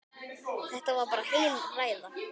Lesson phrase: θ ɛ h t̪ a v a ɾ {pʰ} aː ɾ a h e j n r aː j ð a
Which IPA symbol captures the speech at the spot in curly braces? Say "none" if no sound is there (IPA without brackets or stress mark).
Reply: p